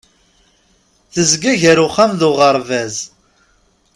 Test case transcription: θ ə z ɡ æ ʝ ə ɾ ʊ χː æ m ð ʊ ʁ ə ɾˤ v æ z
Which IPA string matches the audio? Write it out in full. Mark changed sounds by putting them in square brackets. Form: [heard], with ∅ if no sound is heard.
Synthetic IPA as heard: θ ə z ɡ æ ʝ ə ɾ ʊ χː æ m ð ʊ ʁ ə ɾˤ v æ z